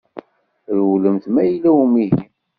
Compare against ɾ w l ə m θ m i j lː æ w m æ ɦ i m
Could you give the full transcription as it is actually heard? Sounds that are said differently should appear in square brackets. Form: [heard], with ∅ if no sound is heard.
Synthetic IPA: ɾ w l ə m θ m [æ] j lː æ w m [i] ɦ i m